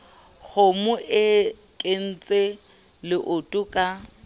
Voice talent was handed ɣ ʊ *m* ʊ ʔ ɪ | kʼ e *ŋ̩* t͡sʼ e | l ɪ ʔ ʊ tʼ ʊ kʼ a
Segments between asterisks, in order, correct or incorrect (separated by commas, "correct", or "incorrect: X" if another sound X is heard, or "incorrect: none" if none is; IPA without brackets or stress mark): correct, incorrect: n̩